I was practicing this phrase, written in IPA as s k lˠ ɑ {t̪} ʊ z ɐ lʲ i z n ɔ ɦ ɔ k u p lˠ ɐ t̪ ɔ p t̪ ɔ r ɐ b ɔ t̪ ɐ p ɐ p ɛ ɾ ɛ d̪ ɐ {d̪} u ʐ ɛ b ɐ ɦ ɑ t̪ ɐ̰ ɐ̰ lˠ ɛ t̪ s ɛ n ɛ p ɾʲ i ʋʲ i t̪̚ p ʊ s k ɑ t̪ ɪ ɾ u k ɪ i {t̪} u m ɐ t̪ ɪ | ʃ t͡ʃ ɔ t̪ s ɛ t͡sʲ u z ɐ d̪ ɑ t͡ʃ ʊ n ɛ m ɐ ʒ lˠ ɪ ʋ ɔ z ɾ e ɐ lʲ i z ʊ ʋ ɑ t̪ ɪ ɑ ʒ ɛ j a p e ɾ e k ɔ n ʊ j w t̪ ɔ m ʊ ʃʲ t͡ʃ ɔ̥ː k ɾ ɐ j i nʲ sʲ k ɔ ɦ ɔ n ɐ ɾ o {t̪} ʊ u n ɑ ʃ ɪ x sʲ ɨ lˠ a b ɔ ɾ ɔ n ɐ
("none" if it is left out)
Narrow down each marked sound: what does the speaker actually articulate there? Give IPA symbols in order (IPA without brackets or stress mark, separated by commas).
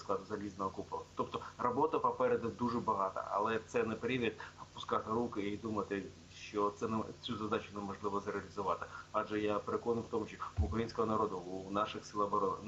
d̪, d̪, d̪, d̪